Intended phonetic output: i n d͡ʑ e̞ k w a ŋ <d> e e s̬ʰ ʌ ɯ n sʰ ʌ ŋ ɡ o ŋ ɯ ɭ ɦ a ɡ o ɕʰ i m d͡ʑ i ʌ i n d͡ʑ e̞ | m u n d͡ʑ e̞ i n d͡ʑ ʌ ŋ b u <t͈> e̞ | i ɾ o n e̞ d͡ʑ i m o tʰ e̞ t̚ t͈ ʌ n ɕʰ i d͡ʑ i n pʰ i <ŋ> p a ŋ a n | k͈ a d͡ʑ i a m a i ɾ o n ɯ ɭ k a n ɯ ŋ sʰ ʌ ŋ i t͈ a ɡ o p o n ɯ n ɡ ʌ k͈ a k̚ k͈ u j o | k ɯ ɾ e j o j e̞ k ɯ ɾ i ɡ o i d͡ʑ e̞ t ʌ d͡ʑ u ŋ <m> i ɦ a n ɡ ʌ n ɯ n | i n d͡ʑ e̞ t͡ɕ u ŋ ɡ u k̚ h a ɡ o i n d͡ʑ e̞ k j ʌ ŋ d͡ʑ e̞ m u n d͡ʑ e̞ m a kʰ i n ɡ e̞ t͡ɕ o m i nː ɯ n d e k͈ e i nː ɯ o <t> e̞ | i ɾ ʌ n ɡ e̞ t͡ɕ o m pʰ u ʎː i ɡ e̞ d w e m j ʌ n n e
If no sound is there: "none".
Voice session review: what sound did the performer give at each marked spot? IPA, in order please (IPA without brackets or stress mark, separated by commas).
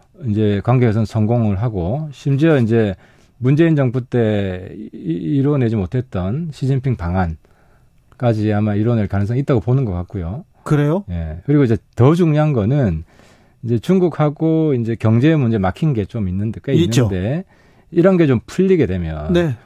ɡ, t͈, ŋ, ɲ, d